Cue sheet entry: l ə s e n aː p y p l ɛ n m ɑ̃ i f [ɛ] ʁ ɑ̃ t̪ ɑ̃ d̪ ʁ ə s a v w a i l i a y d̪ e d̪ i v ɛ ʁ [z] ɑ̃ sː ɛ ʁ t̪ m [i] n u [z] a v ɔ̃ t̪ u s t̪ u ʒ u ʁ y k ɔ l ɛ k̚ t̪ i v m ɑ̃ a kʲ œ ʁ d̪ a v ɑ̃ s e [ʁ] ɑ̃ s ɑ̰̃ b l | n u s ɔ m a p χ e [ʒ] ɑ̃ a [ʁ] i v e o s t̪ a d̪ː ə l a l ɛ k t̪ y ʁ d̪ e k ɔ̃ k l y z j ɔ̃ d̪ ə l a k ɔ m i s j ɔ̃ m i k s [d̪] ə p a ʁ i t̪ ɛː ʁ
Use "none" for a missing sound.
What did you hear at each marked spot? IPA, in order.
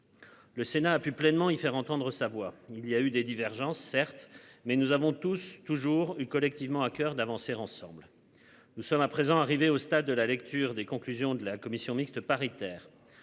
ɛ, ʒ, ɛ, z, ʁ, z, ʁ, t̪

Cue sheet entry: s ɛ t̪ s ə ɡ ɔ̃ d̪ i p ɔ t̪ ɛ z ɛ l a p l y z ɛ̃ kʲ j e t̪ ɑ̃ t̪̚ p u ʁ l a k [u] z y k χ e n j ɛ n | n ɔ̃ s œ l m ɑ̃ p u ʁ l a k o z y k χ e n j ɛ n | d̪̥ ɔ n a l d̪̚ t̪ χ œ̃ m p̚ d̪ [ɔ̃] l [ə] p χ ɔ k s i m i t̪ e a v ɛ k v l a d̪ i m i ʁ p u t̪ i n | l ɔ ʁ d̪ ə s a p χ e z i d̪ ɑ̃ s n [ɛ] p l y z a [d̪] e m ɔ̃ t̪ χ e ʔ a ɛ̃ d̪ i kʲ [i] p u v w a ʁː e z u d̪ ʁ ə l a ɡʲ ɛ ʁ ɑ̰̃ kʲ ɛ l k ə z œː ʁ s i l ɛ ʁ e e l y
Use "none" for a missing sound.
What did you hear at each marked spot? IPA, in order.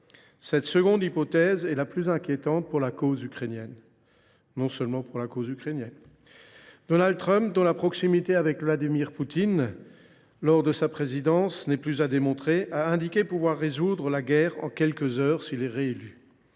o, ɔ̃, a, ɛ, d̪, e

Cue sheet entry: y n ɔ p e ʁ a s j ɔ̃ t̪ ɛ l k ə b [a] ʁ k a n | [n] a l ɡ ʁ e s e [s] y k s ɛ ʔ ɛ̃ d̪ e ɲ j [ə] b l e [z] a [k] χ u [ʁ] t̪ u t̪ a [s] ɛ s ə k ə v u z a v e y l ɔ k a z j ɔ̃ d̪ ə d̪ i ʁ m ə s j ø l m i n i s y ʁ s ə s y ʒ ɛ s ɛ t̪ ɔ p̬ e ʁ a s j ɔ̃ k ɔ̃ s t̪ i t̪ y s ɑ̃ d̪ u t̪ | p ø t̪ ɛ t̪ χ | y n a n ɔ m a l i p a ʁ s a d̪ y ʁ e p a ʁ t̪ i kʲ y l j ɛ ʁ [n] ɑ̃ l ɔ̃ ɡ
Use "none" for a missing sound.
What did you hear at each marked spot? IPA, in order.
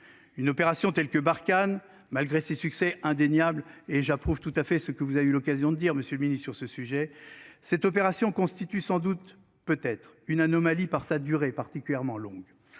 a, m, s, a, ʒ, p, v, f, m

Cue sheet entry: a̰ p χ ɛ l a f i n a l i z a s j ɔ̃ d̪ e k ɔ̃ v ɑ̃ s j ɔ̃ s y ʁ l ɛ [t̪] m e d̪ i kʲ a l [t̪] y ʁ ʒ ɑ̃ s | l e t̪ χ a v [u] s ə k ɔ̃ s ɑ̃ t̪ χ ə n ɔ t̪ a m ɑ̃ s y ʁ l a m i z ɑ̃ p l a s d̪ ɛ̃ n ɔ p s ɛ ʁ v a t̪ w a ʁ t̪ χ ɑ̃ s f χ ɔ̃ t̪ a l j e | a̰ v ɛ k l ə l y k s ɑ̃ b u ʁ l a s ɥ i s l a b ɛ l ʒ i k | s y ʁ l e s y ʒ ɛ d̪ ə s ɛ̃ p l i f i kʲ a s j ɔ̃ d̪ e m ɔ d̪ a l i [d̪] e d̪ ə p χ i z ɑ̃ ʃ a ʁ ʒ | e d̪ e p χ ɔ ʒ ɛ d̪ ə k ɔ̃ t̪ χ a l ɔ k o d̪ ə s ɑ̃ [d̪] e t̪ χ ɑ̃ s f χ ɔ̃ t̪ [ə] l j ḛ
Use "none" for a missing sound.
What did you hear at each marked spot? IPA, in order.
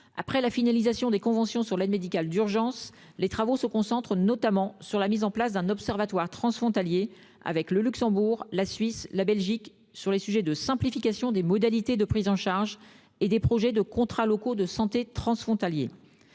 d̪, d̪, o, t̪, t̪, a

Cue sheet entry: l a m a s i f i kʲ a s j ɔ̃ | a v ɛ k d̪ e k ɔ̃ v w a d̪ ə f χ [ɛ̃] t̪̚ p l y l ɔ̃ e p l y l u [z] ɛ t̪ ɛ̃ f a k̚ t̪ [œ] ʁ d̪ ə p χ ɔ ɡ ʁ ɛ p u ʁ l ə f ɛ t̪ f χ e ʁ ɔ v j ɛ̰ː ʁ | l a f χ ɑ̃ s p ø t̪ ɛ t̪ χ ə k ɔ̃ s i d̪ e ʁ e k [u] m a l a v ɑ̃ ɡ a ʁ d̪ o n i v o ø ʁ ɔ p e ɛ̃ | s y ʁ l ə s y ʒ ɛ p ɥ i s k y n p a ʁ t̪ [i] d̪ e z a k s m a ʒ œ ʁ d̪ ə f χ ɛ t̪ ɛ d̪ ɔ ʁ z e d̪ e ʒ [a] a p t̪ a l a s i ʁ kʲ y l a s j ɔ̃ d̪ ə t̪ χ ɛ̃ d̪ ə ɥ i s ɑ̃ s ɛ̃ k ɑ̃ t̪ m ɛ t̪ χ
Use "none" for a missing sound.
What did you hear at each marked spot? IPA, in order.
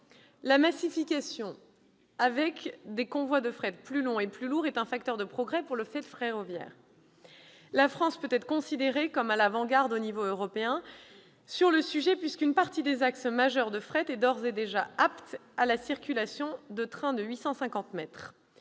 ɛ, ʁ, œ, ɔ, i, a

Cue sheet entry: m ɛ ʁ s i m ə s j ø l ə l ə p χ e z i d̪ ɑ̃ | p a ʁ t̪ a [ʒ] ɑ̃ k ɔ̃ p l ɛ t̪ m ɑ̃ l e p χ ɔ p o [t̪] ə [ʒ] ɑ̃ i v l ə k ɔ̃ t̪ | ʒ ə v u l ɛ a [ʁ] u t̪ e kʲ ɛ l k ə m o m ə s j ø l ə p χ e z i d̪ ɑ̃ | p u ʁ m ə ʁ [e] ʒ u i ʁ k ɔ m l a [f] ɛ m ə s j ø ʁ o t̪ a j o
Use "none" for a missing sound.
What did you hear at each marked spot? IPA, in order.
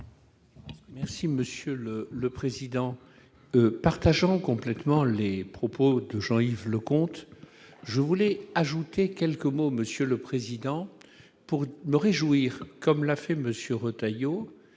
ʒ, d̪, ʒ, ʒ, e, f

